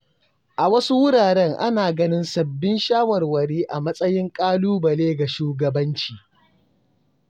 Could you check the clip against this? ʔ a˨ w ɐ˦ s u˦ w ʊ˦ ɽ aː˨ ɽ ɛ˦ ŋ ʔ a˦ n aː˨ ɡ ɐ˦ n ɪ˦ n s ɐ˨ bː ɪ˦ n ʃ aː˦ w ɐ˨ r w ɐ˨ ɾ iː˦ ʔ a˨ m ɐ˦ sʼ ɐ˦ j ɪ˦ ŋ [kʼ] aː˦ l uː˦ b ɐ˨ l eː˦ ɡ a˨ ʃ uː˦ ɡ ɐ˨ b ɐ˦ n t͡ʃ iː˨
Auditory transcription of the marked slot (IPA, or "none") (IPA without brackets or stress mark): kʼ